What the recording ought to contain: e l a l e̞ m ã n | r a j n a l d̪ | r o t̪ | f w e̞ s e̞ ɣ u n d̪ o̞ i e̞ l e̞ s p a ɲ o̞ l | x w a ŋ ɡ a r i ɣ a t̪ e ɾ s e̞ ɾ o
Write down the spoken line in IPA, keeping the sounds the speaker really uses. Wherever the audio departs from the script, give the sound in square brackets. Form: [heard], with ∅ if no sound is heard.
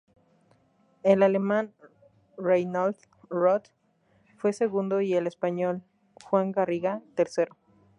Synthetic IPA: e l a l e̞ m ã n | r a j n a l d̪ | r o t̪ | f w e̞ s e̞ ɣ u n d̪ o̞ i e̞ l e̞ s p a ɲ o̞ l | x w a ŋ ɡ a r i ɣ a t̪ e ɾ s e̞ ɾ o